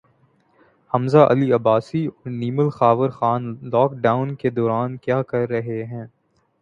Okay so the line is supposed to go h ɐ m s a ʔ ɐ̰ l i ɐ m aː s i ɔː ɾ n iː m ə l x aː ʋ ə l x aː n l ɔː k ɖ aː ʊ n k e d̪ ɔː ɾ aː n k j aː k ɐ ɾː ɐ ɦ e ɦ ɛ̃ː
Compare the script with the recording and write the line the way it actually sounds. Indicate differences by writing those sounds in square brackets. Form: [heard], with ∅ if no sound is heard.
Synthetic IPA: h ɐ m [z] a ʔ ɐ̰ l i ɐ [b] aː s i ɔː ɾ n iː m ə l x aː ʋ ə [ɾ] x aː n l ɔː k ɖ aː ʊ n k e d̪ ɔː ɾ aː n k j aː k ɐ ɾː ɐ ɦ e ɦ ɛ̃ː